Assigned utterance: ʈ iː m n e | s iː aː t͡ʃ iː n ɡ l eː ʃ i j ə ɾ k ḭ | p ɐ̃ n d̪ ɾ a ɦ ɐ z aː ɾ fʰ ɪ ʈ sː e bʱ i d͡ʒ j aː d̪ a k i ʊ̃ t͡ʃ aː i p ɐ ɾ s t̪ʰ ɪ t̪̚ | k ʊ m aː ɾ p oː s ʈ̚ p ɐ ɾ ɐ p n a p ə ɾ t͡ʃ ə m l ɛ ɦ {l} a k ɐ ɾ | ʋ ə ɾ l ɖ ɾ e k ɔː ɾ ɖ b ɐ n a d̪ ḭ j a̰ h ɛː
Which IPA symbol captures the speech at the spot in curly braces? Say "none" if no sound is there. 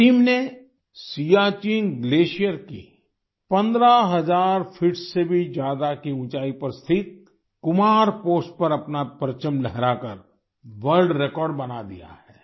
ɾ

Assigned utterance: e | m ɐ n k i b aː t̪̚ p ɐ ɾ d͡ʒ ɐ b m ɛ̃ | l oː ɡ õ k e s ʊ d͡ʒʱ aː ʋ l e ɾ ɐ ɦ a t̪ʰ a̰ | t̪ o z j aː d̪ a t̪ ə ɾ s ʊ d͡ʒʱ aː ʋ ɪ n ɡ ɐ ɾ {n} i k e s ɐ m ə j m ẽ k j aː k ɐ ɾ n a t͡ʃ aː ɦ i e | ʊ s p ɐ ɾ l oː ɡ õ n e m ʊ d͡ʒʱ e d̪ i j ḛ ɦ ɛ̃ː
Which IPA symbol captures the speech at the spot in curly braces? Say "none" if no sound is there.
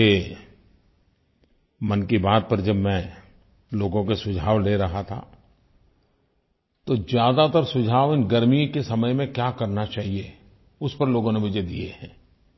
m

